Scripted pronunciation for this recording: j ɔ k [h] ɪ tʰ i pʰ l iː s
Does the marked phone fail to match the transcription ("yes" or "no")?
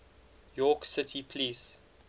yes